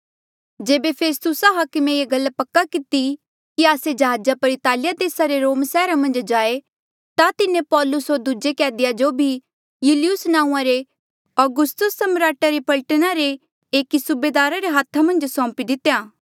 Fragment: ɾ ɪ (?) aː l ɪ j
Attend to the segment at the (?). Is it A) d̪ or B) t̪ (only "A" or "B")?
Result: B